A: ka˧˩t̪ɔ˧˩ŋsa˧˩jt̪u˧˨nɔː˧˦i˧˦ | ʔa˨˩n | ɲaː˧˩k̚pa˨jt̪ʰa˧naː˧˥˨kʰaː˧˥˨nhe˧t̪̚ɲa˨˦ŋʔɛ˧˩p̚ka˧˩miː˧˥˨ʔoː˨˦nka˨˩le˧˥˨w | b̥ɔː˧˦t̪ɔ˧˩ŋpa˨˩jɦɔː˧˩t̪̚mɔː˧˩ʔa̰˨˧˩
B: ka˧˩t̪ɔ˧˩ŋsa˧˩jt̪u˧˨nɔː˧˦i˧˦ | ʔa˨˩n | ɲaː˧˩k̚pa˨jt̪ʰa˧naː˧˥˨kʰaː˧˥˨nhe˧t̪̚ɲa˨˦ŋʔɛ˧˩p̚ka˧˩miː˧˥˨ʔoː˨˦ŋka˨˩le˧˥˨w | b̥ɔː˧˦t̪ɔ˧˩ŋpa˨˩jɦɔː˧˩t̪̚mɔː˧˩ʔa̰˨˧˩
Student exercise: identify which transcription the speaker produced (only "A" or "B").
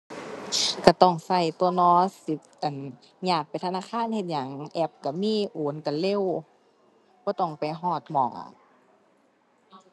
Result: A